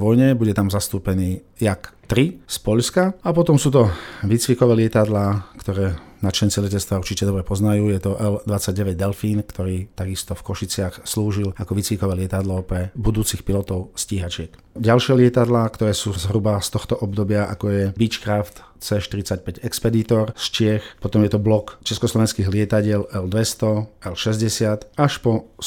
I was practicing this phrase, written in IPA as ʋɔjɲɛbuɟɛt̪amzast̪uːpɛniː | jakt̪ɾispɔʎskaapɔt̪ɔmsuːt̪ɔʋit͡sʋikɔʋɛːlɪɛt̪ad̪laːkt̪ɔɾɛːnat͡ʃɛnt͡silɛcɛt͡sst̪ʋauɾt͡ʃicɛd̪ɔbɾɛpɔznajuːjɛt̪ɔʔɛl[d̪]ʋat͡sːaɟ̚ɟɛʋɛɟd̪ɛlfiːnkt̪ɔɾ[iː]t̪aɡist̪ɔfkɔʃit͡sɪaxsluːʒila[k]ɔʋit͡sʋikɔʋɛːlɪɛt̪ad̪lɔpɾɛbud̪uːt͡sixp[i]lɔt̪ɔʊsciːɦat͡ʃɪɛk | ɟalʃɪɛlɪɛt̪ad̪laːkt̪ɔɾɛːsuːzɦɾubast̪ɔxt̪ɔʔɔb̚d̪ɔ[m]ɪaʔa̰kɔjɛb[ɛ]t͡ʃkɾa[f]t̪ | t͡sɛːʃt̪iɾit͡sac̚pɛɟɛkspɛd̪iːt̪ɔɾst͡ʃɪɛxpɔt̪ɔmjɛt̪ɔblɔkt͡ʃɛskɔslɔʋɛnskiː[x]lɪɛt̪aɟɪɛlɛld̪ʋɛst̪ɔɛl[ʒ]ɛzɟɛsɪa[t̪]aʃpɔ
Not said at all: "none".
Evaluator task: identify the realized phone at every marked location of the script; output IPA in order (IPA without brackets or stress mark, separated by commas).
d̪, iː, k, i, b, i, f, ɣ, ʃ, t̪